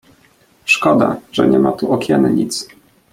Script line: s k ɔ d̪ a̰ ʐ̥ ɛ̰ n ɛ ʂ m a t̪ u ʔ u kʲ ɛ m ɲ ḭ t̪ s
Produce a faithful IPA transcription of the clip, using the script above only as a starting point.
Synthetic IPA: ʂ k ɔ d̪ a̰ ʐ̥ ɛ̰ ɲ ɛ m a t̪ u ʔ ɔ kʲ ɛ n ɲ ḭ t̪ s